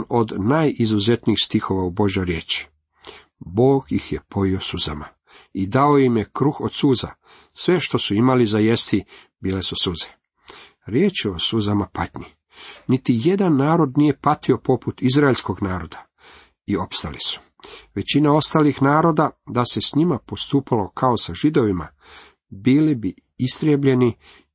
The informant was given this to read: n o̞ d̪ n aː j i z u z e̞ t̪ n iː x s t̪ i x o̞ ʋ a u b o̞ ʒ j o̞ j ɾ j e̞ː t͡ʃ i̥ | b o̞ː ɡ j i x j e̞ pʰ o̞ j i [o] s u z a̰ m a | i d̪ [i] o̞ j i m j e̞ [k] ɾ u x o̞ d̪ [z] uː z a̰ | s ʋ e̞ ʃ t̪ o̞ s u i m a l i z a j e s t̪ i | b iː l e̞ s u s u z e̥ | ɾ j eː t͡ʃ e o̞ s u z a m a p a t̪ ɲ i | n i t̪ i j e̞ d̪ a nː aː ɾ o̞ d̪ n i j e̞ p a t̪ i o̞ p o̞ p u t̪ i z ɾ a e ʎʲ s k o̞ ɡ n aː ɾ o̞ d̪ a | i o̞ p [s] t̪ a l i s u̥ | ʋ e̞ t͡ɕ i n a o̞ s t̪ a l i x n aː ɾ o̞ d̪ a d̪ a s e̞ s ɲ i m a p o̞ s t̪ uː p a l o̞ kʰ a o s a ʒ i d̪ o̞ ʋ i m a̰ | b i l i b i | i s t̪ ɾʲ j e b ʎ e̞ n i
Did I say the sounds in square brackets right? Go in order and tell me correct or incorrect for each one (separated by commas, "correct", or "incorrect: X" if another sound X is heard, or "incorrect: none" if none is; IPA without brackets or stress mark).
correct, incorrect: a, correct, incorrect: s, correct